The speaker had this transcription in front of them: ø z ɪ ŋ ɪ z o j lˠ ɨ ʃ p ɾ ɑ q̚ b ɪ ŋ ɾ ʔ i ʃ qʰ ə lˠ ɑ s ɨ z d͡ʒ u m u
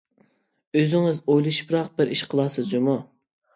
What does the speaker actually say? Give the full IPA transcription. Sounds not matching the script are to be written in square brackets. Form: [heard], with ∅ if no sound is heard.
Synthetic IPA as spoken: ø z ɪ ŋ ɪ z o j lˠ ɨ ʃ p ɾ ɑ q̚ b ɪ [∅] ɾ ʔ i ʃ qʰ ə lˠ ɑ s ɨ z d͡ʒ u m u